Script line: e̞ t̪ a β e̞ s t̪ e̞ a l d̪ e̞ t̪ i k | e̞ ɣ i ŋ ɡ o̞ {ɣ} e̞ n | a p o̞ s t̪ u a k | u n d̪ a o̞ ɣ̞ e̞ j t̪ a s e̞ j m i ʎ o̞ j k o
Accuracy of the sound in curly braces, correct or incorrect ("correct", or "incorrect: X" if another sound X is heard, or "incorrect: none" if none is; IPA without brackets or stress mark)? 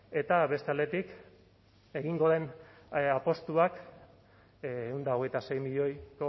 incorrect: ð